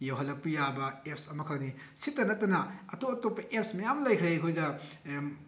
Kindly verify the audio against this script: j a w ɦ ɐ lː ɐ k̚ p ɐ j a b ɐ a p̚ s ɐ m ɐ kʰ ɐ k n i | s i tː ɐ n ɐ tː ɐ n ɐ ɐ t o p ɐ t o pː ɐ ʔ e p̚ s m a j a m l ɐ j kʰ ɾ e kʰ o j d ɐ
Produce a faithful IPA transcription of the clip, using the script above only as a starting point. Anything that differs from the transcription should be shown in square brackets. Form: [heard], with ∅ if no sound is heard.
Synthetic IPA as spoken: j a w ɦ ɐ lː ɐ k̚ p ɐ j a b ɐ [e] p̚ s ɐ m ɐ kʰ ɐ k n i | s i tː ɐ n ɐ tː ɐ n ɐ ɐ t o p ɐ t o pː ɐ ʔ e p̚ s m [ɐ] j a m l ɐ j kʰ ɾ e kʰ o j d ɐ